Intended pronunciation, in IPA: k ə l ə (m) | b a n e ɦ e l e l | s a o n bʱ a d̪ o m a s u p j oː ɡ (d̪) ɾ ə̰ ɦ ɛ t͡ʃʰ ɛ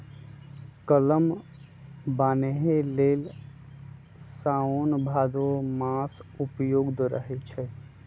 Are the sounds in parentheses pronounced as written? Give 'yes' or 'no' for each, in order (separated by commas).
yes, yes